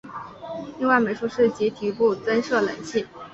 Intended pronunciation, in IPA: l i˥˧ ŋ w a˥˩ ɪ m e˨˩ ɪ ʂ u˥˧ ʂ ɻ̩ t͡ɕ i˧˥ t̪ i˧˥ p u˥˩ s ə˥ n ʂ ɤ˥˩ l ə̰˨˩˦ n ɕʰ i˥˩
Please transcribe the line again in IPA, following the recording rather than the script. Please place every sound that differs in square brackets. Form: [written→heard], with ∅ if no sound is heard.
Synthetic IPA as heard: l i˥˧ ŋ w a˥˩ ɪ m e˨˩ ɪ ʂ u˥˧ ʂ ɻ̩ t͡ɕ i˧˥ [t̪→t̪ʰ] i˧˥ p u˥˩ [s→t͡s] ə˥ n ʂ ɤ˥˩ l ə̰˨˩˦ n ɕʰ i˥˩